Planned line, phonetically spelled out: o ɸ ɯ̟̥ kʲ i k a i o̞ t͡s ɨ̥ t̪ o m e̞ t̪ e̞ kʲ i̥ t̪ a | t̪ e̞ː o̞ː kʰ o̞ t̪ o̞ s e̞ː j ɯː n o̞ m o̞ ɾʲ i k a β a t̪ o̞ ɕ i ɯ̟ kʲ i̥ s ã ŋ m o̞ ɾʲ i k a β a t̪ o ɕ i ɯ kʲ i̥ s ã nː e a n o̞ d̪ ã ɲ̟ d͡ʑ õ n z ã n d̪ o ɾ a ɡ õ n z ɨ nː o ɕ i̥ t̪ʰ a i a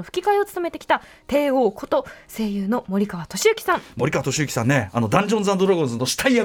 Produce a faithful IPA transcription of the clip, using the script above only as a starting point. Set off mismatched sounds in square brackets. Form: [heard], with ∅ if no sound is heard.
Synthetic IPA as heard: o ɸ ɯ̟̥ kʲ i k a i o̞ t͡s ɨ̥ t̪ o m e̞ t̪ e̞ kʲ i̥ t̪ a | t̪ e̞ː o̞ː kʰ o̞ t̪ o̞ s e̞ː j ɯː n o̞ m o̞ ɾʲ i k a β a t̪ o̞ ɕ i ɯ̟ kʲ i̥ s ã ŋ m o̞ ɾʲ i k a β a t̪ o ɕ i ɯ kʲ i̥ s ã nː e a n o̞ d̪ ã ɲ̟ d͡ʑ õ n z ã n d̪ o ɾ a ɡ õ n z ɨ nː o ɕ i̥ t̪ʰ a i a